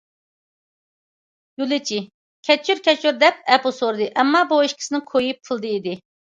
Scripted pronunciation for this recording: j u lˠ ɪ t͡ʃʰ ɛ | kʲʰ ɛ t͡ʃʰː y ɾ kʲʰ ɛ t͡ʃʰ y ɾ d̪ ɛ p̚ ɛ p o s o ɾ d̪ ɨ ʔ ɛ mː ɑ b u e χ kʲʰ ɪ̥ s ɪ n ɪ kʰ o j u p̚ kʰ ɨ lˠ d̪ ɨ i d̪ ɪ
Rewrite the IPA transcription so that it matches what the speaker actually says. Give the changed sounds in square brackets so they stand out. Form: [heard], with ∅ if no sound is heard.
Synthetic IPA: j u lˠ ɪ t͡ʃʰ [i] | kʲʰ ɛ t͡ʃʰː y ɾ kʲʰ ɛ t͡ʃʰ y ɾ d̪ ɛ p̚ ɛ p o s o ɾ d̪ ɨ ʔ ɛ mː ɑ b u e [ʃ] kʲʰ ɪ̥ s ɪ n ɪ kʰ o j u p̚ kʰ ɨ lˠ d̪ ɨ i d̪ ɪ